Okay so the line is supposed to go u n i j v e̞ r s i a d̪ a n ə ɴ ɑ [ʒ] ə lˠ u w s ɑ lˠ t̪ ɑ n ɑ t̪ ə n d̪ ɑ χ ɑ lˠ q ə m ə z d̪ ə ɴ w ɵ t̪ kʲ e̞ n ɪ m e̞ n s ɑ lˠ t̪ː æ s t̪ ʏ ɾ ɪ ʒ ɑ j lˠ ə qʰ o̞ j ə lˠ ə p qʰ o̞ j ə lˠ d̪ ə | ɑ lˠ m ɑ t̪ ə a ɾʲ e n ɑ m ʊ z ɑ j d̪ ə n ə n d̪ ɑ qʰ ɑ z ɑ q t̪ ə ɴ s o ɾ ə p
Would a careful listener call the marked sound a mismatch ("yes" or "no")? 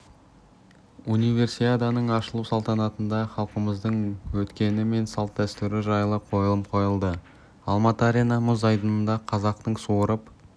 yes